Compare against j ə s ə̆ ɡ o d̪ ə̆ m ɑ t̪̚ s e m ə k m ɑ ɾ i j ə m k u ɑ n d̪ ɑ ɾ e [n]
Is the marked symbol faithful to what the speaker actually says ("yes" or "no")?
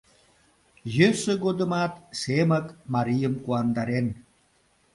yes